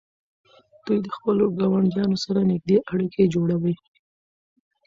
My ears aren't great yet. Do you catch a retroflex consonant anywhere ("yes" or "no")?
yes